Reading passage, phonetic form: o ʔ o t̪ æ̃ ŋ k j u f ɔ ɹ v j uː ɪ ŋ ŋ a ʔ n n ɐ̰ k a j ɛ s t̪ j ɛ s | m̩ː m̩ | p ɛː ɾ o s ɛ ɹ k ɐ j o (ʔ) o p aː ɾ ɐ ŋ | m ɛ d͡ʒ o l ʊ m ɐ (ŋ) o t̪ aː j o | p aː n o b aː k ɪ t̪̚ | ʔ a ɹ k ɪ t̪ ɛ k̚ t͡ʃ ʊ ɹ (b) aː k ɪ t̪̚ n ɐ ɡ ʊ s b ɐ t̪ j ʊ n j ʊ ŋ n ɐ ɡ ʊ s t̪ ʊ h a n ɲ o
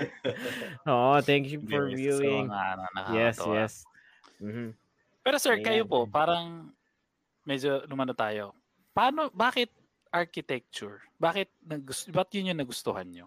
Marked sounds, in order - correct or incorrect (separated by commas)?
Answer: incorrect, incorrect, correct